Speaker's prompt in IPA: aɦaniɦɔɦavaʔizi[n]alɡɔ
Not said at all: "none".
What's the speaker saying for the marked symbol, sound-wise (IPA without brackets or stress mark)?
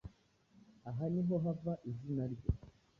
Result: n